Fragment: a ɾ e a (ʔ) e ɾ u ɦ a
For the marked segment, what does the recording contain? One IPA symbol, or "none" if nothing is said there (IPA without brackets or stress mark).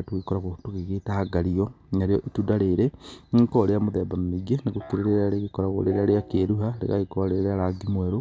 k